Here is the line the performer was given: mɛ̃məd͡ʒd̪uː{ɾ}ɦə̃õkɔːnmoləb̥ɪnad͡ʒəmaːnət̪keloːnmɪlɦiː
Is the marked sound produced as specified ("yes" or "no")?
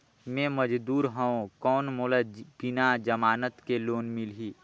yes